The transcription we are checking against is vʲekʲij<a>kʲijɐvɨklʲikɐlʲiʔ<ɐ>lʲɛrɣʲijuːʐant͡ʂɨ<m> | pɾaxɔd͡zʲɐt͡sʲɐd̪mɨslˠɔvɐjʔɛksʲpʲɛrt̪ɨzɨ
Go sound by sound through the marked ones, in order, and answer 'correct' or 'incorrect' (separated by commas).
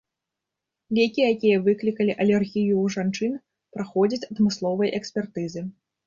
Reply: correct, correct, incorrect